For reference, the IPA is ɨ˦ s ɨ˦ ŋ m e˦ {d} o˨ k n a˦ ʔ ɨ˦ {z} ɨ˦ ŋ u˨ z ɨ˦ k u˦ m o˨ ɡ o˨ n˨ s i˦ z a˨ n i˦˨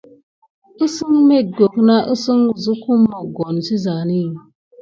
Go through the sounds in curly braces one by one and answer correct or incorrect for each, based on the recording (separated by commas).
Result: incorrect, incorrect